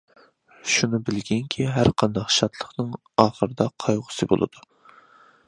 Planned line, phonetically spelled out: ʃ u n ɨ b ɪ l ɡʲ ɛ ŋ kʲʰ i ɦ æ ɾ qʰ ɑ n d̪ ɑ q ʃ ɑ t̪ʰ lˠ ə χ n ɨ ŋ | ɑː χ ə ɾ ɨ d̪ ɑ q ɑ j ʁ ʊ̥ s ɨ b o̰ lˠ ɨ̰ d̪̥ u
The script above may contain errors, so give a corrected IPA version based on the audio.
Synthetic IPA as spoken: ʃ u n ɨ b ɪ l ɡʲ ɛ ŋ kʲʰ i ɦ æ ɾ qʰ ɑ n d̪ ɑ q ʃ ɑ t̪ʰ lˠ ə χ n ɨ ŋ | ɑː χ ə ɾ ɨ d̪ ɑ qʰ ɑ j ʁ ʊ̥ s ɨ b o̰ lˠ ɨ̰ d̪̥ u